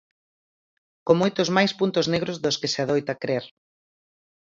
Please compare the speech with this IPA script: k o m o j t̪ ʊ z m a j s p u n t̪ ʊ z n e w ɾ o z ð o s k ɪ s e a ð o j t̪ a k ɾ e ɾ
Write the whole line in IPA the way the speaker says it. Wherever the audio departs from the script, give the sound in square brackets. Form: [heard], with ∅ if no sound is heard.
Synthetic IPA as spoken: k o m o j t̪ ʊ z m a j s p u n t̪ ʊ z n e [ɣ] ɾ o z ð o s k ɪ s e a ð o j t̪ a k ɾ e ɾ